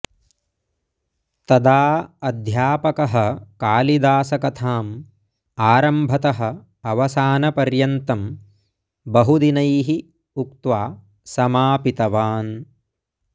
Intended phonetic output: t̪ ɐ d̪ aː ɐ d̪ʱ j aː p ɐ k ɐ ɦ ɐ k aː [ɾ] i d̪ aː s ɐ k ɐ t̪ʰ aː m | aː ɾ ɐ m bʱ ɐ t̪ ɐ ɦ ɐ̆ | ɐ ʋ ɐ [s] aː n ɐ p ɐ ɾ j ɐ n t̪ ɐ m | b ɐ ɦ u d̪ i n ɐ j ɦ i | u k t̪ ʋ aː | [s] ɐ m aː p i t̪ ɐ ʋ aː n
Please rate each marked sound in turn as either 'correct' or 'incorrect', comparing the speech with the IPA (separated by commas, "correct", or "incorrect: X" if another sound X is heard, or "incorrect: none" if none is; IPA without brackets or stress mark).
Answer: incorrect: l, correct, correct